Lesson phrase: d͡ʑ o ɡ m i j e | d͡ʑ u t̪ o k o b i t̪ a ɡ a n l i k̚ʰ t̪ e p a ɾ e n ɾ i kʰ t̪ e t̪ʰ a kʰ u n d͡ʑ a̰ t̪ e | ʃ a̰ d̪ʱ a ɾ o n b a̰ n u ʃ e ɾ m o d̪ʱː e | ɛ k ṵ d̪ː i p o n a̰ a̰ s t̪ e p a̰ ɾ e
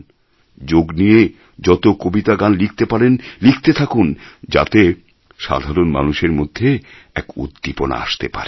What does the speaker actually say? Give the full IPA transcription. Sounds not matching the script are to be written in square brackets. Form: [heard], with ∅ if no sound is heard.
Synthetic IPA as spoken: d͡ʑ o ɡ [n] i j e | d͡ʑ [ɔ] t̪ o k o b i t̪ a ɡ a n l i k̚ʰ t̪ e p a ɾ e n [l] i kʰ t̪ e t̪ʰ a [k] u n d͡ʑ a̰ t̪ e | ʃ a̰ d̪ʱ a ɾ o n [m] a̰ n u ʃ e ɾ m o d̪ʱː e | ɛ k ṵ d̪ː i p o n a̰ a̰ [ʃ] t̪ e p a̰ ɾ e